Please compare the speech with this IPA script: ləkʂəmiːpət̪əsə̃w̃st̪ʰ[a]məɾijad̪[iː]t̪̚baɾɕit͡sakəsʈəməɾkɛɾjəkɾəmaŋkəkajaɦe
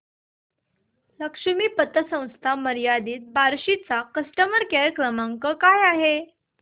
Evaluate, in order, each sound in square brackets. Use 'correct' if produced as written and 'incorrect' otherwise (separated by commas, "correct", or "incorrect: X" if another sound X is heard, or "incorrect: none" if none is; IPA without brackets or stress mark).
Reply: correct, correct